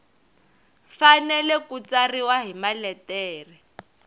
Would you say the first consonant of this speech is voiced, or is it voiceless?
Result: voiceless